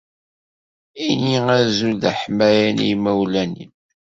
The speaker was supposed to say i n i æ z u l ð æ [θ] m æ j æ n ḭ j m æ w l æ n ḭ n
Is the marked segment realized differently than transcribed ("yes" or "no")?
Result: yes